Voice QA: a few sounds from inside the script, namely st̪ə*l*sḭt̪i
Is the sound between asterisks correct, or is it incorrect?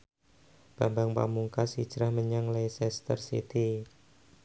incorrect: r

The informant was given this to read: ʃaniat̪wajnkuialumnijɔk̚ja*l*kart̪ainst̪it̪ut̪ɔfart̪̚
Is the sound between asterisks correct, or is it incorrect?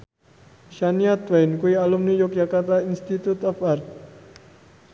incorrect: none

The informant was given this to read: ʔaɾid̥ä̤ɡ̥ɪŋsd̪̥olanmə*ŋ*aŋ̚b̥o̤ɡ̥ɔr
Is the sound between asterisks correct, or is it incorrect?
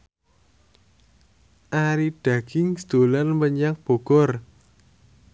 incorrect: ɲ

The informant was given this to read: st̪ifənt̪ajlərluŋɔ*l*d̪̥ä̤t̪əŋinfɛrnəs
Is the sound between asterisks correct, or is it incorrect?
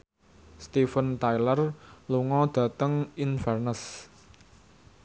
incorrect: none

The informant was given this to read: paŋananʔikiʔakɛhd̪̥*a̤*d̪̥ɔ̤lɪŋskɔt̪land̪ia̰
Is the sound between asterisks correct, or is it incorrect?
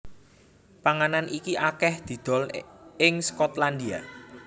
incorrect: i̤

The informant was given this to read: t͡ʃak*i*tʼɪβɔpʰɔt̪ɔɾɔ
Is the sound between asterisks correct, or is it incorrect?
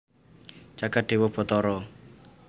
incorrect: a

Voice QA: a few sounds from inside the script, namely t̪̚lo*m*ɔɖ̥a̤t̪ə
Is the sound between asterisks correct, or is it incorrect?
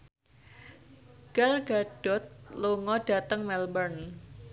incorrect: ŋ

